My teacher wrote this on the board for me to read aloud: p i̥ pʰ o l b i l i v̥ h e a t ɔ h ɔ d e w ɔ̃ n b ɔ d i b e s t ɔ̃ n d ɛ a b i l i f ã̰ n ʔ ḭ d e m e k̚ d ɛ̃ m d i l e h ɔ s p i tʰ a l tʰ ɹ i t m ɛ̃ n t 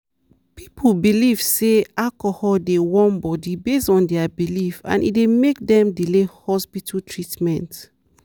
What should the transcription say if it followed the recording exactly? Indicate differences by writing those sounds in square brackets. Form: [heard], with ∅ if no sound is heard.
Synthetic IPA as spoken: p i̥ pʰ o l b i l i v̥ [s] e a [k] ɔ h ɔ d e w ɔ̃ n b ɔ d i b e s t ɔ̃ n d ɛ a b i l i f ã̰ n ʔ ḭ d e m e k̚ d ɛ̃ m d i l e h ɔ s p i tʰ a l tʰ ɹ i t m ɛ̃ n t